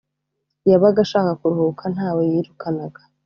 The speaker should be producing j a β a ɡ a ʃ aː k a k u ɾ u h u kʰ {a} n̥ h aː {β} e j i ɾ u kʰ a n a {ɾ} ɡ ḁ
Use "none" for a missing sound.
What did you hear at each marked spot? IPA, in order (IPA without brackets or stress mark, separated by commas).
a, w, none